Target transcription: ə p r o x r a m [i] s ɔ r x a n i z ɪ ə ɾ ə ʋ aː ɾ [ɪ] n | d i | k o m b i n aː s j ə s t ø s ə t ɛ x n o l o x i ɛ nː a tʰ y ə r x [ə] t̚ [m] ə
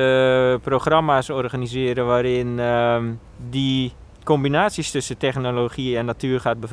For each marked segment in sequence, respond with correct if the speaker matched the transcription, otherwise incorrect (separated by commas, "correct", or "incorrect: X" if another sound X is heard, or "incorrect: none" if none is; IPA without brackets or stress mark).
incorrect: a, correct, incorrect: a, incorrect: b